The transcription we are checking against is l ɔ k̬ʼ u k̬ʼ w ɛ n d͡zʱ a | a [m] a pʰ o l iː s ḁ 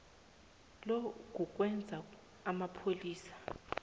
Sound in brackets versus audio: correct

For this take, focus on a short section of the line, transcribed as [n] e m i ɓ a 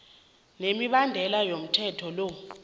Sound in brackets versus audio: correct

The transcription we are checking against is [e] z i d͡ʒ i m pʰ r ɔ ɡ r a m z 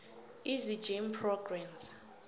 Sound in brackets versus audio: incorrect: i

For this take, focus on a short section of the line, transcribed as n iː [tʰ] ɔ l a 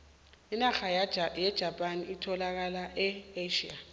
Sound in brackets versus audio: correct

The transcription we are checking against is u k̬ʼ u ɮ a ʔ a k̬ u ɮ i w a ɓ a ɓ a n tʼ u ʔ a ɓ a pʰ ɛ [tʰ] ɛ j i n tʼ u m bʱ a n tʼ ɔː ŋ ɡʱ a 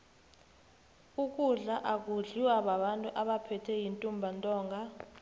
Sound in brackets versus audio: correct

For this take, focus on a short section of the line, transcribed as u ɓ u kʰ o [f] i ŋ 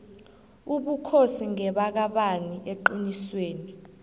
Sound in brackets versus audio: incorrect: s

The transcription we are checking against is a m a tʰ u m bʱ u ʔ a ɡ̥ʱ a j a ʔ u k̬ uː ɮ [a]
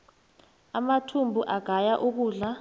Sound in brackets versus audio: correct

